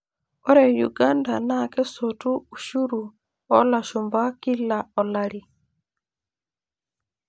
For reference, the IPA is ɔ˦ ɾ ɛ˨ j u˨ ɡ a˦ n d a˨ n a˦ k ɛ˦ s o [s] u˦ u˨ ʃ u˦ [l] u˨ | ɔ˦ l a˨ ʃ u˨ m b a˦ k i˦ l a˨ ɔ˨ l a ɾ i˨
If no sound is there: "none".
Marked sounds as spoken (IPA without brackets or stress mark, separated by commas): t, ɾ